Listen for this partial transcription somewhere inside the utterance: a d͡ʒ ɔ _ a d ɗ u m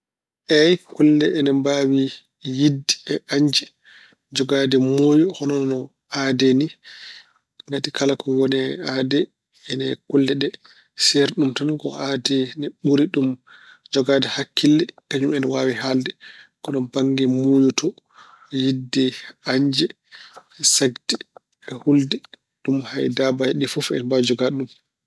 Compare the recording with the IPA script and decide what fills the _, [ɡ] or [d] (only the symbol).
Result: ɡ